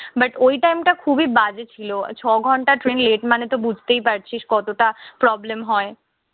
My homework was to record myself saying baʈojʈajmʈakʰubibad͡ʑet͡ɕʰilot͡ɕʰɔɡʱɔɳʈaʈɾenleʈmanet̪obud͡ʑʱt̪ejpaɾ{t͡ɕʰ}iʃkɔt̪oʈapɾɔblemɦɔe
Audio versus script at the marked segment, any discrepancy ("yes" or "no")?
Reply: no